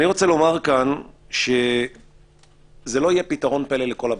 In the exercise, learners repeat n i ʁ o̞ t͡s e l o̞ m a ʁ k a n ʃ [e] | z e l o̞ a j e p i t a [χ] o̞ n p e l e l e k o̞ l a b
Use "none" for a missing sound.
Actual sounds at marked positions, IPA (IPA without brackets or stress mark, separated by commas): e, ʁ